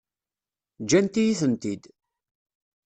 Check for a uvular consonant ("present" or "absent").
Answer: absent